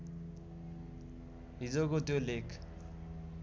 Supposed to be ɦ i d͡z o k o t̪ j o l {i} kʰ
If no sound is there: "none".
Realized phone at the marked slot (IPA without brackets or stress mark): e